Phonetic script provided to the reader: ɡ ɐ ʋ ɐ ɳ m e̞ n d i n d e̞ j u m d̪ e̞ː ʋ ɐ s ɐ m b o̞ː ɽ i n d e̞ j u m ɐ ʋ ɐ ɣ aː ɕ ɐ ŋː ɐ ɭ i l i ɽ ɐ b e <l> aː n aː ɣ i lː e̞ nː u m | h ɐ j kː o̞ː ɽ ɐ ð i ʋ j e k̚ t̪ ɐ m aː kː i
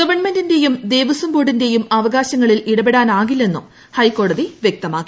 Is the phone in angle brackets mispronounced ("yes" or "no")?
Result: yes